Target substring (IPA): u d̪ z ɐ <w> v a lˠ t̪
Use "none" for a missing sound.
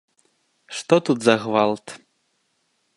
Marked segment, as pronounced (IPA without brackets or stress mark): ɣ